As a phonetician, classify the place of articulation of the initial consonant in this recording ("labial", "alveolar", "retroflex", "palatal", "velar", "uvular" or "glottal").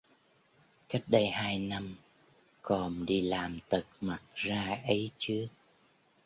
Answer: velar